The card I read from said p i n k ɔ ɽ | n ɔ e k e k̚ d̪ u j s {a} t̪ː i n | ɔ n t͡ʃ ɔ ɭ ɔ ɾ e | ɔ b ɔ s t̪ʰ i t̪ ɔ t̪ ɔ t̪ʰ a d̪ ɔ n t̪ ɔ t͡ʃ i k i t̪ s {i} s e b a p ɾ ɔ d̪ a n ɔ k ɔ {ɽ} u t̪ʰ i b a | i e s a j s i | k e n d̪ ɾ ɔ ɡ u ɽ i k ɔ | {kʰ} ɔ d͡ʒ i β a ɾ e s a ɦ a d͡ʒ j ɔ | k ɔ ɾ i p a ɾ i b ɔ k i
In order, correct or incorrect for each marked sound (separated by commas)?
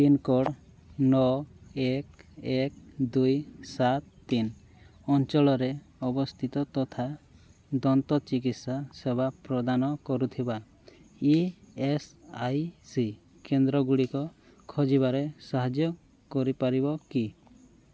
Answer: correct, incorrect, incorrect, correct